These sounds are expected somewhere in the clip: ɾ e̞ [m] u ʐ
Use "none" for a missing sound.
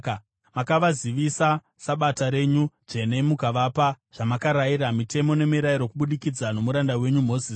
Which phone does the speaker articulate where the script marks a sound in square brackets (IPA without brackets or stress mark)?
ɲ